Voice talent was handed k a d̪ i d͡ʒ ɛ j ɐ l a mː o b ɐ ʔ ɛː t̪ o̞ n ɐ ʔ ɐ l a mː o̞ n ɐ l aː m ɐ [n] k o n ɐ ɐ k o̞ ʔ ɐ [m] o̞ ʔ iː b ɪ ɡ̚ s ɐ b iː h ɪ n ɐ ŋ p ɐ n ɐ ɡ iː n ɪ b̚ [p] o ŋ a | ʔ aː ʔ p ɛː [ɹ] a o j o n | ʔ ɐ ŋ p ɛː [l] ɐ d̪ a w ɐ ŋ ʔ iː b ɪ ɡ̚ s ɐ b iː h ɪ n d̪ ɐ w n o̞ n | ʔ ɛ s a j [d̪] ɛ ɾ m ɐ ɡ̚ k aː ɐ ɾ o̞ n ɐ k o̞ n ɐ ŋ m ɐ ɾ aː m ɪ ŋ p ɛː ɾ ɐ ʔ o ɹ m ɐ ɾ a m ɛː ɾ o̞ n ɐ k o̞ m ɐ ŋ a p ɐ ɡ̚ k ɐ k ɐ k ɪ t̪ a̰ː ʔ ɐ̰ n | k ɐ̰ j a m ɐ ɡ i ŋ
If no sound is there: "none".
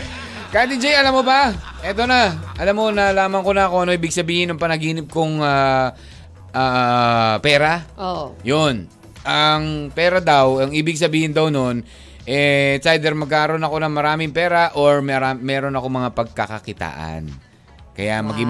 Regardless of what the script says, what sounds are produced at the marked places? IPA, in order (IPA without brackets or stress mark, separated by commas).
ŋ, n, k, ɾ, ɾ, d̪